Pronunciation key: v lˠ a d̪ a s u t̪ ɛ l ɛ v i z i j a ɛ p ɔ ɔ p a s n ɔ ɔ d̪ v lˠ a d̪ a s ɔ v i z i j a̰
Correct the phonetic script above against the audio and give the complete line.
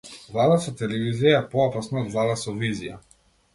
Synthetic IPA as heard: v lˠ a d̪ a s ɔ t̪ ɛ l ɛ v i z i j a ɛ p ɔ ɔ p a s n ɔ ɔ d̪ v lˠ a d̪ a s ɔ v i z i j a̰